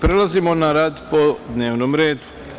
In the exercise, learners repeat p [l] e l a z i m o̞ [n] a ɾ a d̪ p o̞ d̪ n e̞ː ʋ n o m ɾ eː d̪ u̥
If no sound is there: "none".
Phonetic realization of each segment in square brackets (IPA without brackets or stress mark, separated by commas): ɾ, n